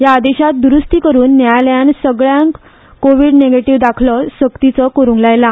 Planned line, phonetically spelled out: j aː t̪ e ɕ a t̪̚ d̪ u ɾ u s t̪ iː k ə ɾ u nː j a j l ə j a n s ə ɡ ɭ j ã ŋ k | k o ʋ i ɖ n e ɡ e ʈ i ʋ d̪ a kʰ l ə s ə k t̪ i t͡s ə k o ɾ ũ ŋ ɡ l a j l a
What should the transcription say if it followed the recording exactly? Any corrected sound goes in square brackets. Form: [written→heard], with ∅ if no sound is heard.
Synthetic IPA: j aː [t̪→d̪] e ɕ a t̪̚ d̪ u ɾ u s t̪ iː k ə ɾ [u→uː] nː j a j l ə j a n s ə ɡ ɭ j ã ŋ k | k o ʋ i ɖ n e ɡ e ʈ i ʋ d̪ a kʰ l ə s ə k t̪ i t͡s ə k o ɾ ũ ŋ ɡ l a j l a